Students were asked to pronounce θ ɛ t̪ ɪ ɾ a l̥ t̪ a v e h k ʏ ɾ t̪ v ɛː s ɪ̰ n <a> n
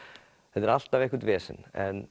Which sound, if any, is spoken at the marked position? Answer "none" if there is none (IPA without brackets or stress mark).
ɛ